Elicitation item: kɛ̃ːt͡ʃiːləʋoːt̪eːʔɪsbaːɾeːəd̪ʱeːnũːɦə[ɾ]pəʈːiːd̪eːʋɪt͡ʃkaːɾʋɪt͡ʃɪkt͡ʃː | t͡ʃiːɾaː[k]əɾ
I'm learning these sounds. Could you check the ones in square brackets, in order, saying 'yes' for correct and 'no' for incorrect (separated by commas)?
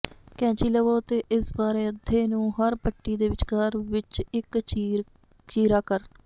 yes, yes